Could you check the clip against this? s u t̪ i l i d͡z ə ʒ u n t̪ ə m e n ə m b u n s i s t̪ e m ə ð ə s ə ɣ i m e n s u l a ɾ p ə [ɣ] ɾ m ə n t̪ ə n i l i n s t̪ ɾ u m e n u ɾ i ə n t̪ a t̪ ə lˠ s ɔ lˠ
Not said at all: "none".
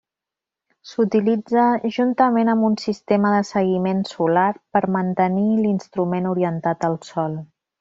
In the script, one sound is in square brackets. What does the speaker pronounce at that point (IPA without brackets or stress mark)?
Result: none